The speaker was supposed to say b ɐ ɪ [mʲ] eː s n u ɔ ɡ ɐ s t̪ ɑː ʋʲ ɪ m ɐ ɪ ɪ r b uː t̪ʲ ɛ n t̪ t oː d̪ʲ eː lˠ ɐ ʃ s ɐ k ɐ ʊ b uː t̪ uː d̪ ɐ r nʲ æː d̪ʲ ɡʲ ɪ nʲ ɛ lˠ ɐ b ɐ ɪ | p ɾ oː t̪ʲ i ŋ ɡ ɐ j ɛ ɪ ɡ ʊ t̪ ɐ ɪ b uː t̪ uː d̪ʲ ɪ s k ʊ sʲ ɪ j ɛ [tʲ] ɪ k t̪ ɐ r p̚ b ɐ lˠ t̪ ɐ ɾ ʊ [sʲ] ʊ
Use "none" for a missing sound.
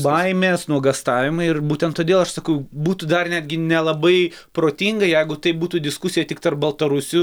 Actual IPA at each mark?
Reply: mʲ, tʲ, sʲ

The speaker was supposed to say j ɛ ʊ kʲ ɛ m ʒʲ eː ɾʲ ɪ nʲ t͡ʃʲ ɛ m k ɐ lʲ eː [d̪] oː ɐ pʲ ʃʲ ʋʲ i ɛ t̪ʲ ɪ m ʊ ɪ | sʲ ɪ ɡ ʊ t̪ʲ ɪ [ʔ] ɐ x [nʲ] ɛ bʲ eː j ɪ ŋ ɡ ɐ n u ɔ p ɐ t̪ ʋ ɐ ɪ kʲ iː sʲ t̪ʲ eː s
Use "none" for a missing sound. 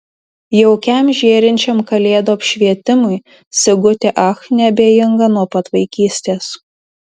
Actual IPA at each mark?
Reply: d̪, ʔ, nʲ

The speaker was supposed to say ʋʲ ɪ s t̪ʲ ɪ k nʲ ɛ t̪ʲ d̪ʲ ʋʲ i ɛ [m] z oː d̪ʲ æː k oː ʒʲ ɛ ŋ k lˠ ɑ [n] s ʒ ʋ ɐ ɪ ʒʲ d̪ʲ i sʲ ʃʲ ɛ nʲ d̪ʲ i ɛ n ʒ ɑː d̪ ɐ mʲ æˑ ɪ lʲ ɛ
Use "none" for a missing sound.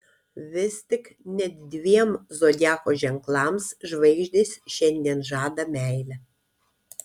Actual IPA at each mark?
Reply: m, m

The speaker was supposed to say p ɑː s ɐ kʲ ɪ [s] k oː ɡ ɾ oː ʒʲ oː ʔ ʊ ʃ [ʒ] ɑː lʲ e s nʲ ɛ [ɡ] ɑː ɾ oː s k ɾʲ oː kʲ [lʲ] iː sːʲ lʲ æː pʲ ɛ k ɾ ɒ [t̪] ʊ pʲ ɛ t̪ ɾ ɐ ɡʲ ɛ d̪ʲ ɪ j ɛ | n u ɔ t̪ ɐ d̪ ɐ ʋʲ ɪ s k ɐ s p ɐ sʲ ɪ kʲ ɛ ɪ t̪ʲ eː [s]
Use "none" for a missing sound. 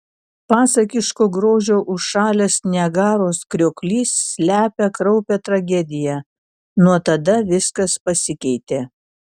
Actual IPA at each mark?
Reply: ʃ, ʃ, ɡ, lʲ, none, none

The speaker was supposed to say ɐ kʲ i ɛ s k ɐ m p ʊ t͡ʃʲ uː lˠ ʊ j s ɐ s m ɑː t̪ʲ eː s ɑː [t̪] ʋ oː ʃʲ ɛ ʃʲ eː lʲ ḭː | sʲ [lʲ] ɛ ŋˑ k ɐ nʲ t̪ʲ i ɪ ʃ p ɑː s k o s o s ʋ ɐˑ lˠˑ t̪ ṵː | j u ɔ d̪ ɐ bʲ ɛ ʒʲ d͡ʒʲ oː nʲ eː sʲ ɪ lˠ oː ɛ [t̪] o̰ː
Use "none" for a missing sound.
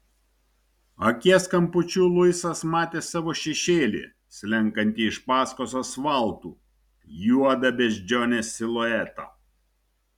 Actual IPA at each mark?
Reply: none, lʲ, t̪

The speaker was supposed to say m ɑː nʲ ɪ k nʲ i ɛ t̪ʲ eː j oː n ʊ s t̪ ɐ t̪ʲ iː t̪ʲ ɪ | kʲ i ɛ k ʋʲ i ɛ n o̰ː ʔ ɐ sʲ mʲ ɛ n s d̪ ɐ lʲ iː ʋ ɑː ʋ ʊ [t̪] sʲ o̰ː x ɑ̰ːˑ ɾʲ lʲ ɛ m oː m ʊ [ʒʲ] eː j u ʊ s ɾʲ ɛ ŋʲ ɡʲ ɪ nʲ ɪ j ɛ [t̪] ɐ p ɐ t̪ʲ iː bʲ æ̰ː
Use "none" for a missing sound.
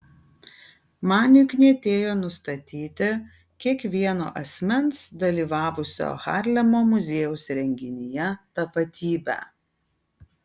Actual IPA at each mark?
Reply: none, zʲ, t̪

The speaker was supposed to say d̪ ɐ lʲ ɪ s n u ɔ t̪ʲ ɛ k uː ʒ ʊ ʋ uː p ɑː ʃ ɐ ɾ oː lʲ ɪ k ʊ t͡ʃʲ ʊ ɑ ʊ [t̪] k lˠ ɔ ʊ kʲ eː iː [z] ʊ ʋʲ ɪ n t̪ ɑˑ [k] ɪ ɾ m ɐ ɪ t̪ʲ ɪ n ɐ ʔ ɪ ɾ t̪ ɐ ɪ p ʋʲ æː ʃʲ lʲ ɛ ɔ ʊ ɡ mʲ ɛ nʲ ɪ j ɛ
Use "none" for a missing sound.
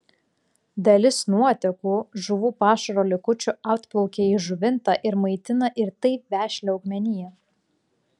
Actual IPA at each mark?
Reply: t̪, ʒ, ʔ

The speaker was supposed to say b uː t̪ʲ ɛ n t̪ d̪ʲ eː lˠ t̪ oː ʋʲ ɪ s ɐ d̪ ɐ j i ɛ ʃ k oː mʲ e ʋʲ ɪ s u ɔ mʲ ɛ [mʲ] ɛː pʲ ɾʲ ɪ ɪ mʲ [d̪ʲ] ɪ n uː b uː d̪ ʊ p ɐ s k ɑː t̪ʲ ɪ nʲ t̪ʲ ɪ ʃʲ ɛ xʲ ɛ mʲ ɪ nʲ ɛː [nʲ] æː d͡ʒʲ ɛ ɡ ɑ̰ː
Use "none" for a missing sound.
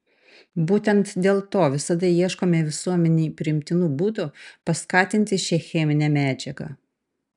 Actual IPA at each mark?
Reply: nʲ, t̪ʲ, mʲ

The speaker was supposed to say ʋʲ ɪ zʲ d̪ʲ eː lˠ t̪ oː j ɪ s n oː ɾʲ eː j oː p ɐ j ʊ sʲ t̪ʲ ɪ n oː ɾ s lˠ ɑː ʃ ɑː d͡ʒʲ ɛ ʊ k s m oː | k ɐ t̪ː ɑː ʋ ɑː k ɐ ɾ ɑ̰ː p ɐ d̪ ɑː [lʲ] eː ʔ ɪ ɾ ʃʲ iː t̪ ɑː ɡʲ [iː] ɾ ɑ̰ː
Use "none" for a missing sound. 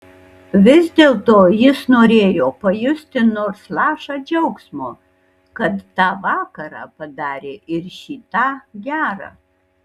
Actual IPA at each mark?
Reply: ɾʲ, æː

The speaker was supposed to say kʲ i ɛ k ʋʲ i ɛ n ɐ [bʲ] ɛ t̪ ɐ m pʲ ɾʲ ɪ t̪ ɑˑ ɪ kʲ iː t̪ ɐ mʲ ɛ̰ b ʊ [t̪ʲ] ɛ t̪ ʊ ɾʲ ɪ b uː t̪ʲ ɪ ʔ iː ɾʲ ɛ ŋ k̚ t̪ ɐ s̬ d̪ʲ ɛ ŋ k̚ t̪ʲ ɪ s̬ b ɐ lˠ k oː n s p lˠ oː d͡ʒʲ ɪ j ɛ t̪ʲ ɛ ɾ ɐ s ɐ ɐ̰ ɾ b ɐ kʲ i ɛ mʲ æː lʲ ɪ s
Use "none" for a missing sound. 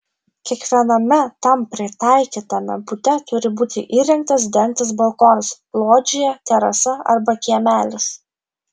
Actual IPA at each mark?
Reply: mʲ, t̪ʲ

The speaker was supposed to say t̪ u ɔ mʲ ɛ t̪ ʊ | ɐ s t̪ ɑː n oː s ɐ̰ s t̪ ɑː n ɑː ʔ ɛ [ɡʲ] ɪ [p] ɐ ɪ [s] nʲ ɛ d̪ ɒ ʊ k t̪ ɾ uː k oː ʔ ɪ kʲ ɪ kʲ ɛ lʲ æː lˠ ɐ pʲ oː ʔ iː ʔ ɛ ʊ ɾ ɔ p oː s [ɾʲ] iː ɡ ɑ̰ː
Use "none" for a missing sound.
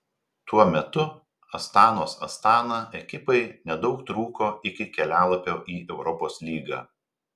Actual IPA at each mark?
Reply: kʲ, p, none, lʲ

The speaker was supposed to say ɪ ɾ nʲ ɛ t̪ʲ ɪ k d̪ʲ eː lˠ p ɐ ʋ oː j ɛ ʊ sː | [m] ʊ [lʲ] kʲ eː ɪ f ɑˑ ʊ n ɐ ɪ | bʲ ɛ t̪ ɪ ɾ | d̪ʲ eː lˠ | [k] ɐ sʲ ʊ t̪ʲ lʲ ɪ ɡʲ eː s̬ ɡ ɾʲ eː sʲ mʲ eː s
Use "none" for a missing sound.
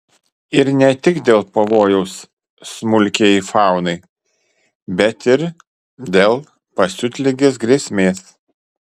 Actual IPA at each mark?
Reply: m, lʲ, p

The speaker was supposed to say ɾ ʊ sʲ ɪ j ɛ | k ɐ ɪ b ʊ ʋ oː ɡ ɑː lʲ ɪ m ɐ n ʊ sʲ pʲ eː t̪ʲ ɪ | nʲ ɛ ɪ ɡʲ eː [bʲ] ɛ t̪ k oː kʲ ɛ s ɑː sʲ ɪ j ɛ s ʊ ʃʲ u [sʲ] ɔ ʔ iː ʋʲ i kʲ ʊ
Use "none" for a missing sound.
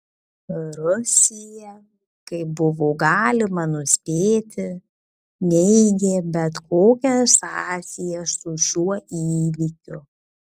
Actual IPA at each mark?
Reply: bʲ, none

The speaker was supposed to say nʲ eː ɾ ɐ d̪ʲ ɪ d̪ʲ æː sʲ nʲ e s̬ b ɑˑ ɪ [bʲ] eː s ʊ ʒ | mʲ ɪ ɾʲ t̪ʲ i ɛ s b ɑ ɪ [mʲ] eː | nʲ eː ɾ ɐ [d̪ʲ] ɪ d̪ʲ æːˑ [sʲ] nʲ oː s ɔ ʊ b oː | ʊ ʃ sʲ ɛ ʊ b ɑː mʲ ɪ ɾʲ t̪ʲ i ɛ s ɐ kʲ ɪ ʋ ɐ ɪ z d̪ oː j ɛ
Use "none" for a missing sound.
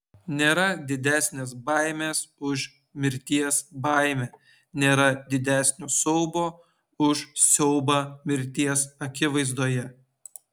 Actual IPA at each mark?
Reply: mʲ, mʲ, d̪ʲ, sʲ

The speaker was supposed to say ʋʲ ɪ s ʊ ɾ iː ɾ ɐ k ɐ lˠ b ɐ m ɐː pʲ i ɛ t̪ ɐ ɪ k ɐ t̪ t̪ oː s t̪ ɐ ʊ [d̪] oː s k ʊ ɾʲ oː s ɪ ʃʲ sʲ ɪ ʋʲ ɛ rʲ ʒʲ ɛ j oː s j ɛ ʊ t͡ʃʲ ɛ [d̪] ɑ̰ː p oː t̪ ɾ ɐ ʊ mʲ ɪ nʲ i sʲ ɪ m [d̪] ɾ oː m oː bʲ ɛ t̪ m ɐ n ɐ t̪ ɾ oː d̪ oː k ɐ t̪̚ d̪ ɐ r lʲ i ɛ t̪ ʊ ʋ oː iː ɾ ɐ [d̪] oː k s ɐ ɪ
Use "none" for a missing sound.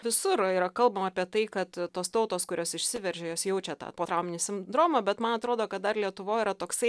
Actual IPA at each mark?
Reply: t̪, t̪, d̪, t̪

